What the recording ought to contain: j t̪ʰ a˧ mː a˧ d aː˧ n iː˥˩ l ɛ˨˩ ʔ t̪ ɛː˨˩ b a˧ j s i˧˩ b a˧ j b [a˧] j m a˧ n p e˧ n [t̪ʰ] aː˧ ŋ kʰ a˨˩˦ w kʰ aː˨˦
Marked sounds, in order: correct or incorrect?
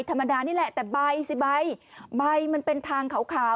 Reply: correct, correct

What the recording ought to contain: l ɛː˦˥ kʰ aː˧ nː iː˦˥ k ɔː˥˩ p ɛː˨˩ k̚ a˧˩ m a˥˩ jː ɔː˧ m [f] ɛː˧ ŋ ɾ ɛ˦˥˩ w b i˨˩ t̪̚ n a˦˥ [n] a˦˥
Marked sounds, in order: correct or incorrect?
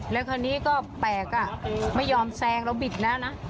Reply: incorrect: s, correct

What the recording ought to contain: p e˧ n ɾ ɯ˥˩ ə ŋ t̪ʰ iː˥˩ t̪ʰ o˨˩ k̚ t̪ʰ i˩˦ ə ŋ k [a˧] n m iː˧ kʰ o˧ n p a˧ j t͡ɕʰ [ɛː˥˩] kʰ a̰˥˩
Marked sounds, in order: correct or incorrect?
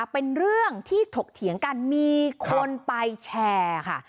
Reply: correct, incorrect: ɛː˧

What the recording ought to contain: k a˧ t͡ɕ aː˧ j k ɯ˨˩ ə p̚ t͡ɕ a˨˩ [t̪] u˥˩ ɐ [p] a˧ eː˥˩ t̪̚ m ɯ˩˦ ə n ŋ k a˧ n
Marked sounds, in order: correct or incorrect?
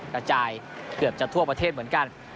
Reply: incorrect: t̪ʰ, correct

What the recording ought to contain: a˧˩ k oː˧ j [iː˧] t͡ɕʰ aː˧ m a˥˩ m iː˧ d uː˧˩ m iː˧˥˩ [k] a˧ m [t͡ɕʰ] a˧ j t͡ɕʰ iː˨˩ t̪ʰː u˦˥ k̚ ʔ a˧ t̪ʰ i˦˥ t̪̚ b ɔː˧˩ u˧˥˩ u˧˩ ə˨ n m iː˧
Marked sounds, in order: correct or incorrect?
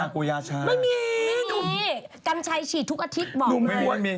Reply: incorrect: aː˧, correct, correct

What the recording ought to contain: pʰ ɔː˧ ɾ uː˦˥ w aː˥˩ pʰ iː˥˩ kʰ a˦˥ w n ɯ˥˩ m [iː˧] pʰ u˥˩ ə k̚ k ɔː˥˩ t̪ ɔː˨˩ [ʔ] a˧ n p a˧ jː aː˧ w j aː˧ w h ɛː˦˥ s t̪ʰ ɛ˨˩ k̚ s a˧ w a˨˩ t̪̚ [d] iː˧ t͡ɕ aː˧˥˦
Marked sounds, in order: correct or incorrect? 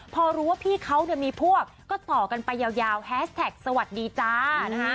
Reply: correct, incorrect: k, correct

